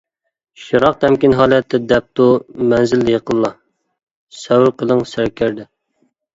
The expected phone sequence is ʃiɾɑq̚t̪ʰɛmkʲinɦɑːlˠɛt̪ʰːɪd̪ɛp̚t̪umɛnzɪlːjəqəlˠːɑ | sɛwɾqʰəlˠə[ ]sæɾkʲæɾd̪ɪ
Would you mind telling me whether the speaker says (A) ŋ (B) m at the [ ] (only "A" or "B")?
A